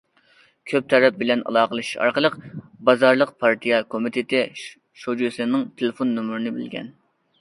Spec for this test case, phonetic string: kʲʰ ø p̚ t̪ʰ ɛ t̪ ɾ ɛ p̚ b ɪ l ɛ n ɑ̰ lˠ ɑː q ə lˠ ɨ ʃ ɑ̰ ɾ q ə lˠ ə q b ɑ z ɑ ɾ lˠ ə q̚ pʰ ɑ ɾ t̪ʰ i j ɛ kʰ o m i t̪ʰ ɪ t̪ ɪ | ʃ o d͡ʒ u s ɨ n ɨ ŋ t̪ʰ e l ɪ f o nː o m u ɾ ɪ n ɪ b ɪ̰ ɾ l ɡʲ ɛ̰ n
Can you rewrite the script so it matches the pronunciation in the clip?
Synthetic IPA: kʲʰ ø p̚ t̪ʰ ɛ ɾ ɛ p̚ b ɪ l ɛ n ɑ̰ lˠ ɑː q ə lˠ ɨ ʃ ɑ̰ ɾ q ə lˠ ə q b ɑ z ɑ ɾ lˠ ə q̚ pʰ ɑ ɾ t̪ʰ i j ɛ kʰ o m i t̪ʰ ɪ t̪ ɪ | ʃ o d͡ʒ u s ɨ n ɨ ŋ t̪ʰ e l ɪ f o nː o m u ɾ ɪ n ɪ b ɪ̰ l ɡʲ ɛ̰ n